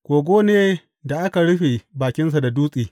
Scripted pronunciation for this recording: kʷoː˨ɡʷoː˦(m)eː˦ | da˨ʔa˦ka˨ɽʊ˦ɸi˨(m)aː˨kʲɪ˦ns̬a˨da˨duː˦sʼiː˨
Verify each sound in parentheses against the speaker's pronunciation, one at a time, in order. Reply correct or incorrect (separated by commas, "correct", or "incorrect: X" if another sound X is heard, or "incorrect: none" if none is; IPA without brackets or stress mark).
incorrect: n, incorrect: b